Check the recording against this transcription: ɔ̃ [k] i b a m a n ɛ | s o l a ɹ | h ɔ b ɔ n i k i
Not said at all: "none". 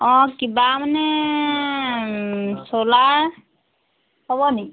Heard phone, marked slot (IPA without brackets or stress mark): k